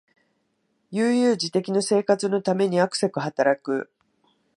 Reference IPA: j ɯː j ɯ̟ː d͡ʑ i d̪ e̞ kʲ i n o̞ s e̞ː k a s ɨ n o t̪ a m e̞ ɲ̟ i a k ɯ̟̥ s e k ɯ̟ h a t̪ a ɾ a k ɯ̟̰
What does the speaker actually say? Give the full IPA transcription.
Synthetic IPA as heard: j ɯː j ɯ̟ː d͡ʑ i t̪ e̞ kʲ i n o̞ s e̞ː k a t͡s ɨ n o t̪ a m e̞ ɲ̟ i a k ɯ̟̥ s e k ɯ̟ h a t̪ a ɾ a k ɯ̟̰